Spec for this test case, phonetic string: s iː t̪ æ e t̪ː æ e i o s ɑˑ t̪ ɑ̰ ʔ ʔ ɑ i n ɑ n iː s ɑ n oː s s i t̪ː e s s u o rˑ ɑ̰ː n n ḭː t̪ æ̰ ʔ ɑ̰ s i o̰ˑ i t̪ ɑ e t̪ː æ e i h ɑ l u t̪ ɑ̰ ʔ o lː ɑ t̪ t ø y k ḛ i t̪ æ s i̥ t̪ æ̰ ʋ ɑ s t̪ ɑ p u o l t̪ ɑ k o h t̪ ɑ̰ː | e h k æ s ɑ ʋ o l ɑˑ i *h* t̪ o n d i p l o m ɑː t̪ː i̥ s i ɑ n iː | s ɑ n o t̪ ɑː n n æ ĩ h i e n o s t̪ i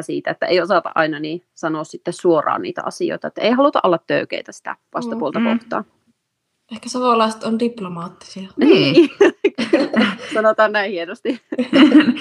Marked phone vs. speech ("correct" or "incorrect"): incorrect